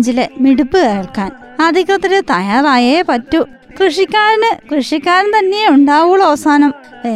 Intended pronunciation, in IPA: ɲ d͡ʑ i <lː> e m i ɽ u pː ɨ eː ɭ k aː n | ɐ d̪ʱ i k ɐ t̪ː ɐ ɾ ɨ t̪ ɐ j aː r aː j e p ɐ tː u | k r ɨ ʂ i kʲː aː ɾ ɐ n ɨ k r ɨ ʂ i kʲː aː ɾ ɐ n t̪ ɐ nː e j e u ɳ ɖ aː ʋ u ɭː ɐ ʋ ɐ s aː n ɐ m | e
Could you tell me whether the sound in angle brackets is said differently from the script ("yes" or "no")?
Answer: yes